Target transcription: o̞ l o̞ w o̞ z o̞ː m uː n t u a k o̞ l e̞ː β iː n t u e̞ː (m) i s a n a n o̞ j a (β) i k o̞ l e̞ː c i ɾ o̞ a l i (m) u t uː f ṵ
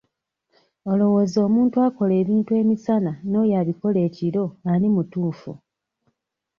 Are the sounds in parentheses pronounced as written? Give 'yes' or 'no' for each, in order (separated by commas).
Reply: yes, yes, yes